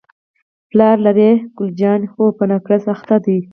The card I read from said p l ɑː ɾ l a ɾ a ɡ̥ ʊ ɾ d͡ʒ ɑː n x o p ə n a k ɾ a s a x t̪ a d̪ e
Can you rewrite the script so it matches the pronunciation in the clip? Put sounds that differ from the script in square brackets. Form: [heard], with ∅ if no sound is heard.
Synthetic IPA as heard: p l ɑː ɾ l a ɾ [e] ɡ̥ ʊ [l] d͡ʒ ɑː n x o p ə n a k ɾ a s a x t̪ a d̪ [i]